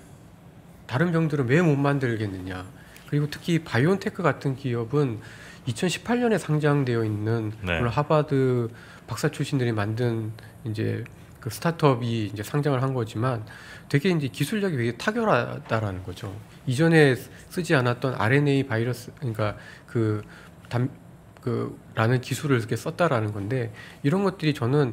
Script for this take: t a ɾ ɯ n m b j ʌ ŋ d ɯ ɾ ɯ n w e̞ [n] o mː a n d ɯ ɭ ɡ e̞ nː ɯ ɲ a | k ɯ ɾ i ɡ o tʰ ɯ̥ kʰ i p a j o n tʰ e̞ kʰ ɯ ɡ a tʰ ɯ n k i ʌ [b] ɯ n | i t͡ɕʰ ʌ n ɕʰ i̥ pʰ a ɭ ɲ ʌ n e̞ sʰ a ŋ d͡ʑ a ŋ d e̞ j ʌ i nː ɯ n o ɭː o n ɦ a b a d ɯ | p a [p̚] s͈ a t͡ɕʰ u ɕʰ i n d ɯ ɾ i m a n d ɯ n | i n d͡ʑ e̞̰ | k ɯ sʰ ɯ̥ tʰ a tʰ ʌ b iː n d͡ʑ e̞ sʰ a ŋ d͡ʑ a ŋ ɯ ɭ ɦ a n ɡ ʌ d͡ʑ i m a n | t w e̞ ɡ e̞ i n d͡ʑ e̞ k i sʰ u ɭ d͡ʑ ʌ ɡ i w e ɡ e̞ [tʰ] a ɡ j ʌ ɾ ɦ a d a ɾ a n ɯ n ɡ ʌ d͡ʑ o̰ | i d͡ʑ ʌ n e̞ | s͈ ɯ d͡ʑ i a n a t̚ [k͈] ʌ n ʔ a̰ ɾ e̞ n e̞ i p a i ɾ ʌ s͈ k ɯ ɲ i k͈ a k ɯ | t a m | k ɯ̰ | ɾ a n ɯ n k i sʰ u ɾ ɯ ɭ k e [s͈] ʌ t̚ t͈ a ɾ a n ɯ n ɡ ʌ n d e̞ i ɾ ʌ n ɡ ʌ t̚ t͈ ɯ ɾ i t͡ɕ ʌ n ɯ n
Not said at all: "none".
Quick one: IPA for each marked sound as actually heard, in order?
m, b, k̚, tʰ, t͈, s͈

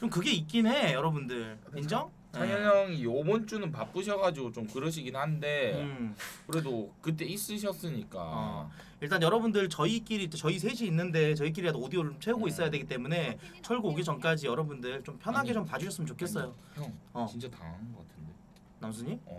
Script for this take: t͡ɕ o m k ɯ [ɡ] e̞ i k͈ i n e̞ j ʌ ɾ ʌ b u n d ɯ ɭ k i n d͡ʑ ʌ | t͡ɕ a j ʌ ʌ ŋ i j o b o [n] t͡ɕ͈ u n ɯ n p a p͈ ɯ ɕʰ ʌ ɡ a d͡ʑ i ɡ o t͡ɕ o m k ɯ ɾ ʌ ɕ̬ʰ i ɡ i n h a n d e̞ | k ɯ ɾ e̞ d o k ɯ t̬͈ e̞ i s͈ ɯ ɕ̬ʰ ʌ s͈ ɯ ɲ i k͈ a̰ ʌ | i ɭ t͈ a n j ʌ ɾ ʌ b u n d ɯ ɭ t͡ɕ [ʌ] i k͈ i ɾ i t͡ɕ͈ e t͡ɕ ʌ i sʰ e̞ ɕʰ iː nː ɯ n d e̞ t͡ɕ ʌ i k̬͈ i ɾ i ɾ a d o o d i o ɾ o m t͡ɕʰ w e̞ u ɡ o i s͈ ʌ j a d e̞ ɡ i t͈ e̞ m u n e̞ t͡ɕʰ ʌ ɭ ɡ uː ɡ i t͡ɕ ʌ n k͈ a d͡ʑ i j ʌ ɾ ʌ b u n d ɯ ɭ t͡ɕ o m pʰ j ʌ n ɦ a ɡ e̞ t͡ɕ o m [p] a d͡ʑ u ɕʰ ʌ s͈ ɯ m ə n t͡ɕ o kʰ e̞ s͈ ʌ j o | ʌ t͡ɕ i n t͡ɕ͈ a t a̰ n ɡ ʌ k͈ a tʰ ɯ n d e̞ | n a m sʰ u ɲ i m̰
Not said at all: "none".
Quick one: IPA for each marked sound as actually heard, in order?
ɡ, n, ʌ, p

